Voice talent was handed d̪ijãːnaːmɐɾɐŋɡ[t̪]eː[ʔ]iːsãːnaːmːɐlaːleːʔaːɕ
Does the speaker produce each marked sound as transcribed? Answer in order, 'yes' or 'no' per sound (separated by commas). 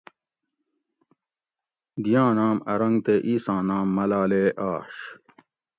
yes, yes